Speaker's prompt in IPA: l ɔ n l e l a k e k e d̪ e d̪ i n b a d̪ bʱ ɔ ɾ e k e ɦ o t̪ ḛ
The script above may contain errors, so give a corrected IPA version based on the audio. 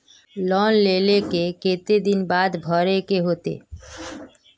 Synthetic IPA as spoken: l ɔ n l e l e k e k e t̪ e d̪ i n b a d̪ bʱ ɔ ɾ e k e ɦ o t̪ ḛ

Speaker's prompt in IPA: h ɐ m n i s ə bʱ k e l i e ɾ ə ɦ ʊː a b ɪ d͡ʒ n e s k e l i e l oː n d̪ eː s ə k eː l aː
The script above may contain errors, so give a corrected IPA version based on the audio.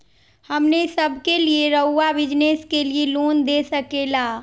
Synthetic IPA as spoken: h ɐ m n e s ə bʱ k e l i e ɾ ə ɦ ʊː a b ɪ d͡ʒ n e s k e l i e l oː n d̪ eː s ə k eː l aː

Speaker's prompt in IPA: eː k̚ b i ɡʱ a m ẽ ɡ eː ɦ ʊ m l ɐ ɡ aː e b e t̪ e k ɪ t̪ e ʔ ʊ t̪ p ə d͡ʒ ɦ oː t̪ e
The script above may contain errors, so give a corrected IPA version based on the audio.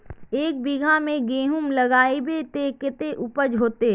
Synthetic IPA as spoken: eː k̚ b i ɡʱ a m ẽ ɡ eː ɦ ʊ m l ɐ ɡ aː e b e t̪ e k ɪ t̪ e ʔ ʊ p ə d͡ʒ ɦ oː t̪ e

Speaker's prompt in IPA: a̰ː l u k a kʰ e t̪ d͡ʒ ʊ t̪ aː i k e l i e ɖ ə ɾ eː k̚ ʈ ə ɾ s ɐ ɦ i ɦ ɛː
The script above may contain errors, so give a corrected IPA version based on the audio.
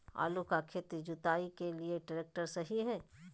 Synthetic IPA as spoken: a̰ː l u k a kʰ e t̪ d͡ʒ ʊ t̪ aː i k e l i e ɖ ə ɾ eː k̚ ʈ ə ɾ s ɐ ɦ i ɦ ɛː

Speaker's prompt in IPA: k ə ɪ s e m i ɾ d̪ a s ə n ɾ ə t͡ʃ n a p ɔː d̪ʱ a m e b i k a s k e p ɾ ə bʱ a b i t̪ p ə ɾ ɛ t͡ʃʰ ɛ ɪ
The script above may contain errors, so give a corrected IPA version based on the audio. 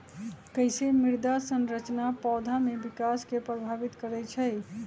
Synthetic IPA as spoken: k ə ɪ s e m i ɾ d̪ a s ə n ɾ ə t͡ʃ n a p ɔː d̪ʱ a m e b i k a s k e p ɾ ə bʱ a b i t̪ k ə ɾ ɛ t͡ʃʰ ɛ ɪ

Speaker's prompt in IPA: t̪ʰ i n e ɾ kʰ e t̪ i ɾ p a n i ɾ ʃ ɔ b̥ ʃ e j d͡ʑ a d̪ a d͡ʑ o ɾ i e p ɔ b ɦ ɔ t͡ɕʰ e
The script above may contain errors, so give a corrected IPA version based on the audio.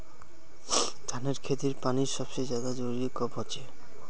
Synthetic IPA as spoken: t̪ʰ a n e ɾ kʰ e t̪ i ɾ p a n i ɾ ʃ ɔ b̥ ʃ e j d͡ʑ a d̪ a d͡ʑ o ɾ i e k ɔ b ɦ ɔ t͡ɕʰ e

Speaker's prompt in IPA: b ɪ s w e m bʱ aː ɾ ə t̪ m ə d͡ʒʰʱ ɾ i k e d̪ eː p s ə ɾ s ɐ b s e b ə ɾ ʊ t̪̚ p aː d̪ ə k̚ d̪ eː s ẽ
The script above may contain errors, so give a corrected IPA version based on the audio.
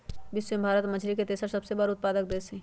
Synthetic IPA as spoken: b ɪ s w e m bʱ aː ɾ ə t̪ m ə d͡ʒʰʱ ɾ i k e t̪ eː s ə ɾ s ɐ b s e b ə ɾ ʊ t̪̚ p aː d̪ ə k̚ d̪ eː s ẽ

